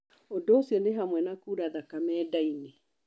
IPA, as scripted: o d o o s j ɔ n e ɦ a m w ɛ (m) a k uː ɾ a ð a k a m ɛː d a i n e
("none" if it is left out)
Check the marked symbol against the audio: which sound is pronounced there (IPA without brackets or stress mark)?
n